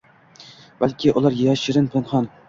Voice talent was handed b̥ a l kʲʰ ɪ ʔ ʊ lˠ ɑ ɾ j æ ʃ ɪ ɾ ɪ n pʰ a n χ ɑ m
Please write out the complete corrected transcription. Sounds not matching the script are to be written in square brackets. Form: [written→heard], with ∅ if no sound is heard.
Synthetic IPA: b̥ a l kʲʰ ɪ ʔ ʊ lˠ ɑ ɾ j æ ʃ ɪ ɾ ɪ n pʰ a n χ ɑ [m→n]